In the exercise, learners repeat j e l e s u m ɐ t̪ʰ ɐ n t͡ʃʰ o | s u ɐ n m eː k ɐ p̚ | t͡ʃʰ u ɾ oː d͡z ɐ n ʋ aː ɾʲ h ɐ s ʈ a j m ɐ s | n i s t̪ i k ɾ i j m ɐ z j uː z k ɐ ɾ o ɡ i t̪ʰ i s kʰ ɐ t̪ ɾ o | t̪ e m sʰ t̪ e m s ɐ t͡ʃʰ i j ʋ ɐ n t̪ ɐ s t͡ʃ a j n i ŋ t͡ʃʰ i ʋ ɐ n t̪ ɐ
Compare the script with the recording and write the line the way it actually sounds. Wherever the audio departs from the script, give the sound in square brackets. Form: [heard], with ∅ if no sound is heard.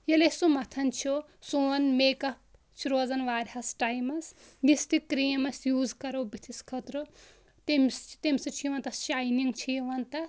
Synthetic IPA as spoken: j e l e s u m ɐ t̪ʰ ɐ n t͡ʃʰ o | s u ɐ n m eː k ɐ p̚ | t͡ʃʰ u ɾ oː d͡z ɐ n ʋ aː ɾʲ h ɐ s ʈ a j m ɐ s | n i s t̪ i k ɾ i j m ɐ [s] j uː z k ɐ ɾ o [b] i t̪ʰ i s kʰ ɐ t̪ ɾ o | t̪ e m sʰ t̪ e m s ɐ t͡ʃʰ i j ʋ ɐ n t̪ ɐ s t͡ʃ a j n i ŋ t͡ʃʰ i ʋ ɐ n t̪ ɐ